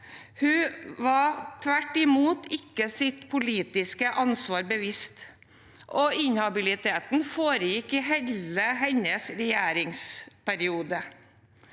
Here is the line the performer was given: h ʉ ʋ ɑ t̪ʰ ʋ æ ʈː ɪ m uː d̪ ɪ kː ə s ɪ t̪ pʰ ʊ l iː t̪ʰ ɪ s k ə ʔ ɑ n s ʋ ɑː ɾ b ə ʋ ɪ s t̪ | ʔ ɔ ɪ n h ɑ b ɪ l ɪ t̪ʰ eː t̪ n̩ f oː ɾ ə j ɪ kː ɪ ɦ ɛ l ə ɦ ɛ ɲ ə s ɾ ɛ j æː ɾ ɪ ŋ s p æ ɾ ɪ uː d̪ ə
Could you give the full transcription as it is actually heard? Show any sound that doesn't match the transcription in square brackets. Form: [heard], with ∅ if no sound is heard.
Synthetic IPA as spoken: h ʉ ʋ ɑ t̪ʰ ʋ æ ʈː ɪ m uː [t̪] ɪ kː ə s ɪ t̪ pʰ ʊ l iː [t̪] ɪ s k ə ʔ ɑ n s ʋ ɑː ɾ b ə ʋ ɪ s t̪ | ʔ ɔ ɪ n h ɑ b ɪ l ɪ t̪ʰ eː t̪ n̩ f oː ɾ ə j ɪ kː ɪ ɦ ɛ l ə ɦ ɛ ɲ ə s ɾ ɛ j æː ɾ ɪ ŋ s p æ ɾ ɪ uː d̪ ə